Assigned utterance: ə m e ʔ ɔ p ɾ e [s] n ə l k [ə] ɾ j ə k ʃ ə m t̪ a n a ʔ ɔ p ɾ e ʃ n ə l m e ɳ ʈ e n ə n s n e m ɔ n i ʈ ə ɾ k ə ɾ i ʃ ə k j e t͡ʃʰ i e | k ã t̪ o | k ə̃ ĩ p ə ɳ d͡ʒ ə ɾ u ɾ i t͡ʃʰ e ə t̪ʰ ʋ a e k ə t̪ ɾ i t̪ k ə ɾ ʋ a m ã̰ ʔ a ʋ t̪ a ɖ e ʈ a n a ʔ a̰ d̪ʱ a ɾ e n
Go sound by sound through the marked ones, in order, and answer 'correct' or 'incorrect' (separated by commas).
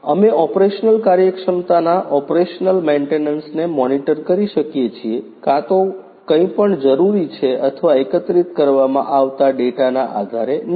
incorrect, incorrect